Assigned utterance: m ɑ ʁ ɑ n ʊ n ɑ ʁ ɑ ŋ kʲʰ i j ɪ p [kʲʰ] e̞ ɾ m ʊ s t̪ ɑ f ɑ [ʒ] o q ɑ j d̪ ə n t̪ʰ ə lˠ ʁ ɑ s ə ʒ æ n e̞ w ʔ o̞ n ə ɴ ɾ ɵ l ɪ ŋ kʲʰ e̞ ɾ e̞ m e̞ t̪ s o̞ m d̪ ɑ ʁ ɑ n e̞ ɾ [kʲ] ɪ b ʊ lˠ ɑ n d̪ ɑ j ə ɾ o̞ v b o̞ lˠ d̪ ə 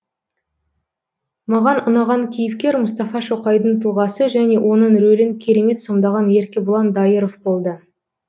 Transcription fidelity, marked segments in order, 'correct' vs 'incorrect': incorrect, incorrect, correct

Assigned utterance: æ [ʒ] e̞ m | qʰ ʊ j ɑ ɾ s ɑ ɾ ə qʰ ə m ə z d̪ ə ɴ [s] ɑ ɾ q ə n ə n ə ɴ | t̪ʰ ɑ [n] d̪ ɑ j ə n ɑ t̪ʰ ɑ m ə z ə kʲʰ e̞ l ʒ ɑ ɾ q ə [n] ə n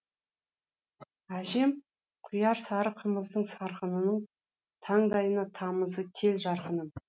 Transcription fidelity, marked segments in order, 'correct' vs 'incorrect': correct, correct, incorrect, correct

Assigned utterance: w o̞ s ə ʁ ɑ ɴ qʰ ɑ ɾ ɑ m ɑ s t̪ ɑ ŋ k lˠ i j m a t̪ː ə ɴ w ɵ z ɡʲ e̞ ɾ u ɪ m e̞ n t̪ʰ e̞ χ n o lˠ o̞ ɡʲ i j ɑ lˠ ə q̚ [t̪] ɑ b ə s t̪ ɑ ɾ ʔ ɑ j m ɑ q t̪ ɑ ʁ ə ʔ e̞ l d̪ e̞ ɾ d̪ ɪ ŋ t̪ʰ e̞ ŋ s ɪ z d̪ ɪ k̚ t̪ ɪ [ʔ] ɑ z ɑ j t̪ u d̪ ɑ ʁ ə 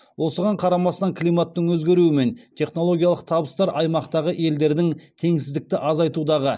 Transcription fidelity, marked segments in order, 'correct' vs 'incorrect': incorrect, correct

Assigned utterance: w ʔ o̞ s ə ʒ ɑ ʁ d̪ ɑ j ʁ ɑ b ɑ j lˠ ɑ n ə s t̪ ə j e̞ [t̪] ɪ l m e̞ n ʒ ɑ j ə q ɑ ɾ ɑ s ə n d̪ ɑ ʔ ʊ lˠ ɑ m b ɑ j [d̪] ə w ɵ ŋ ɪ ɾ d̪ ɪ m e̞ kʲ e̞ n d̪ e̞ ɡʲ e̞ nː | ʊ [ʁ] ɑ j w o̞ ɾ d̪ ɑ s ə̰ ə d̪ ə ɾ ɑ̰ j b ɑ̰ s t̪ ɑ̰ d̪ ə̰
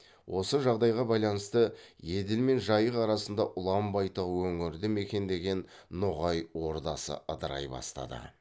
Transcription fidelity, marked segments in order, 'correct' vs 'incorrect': incorrect, incorrect, correct

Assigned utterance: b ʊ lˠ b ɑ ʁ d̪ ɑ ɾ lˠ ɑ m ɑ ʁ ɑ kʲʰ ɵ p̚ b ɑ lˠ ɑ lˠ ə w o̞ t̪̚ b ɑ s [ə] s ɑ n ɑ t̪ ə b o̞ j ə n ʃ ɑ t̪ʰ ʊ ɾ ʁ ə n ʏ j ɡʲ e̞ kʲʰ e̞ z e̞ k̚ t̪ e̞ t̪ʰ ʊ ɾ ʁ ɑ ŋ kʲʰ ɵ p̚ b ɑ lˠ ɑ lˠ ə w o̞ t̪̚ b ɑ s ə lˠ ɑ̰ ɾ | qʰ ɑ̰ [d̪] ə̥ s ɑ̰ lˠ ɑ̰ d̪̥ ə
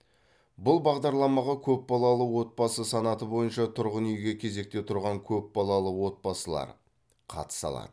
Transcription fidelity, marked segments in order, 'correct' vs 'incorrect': correct, incorrect

